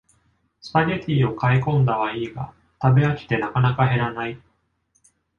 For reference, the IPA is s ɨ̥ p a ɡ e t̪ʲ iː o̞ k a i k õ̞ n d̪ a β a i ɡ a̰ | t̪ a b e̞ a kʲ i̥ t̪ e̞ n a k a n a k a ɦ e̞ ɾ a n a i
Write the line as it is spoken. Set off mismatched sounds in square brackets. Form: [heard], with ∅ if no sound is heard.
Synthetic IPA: s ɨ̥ p a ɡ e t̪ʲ iː o̞ k a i k õ̞ n d̪ a β a [iː] ɡ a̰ | t̪ a b e̞ a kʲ i̥ t̪ e̞ n a k a n a k a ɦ e̞ ɾ a n a i